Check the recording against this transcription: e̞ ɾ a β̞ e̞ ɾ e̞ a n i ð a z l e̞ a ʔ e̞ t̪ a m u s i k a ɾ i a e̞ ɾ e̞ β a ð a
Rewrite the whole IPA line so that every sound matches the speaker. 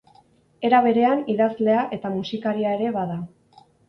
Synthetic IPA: e̞ ɾ a β̞ e̞ ɾ e̞ a n i ð a z l e̞ a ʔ e̞ t̪ a m u s i k a ɾ i a e̞ ɾ e̞ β a ð a